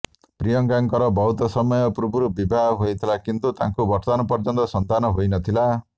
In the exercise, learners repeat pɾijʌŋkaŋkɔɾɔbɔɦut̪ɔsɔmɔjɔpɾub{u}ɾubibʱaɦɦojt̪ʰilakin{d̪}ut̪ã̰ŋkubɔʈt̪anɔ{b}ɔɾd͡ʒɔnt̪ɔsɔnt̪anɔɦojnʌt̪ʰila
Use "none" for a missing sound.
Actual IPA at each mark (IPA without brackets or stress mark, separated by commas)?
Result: u, t̪, p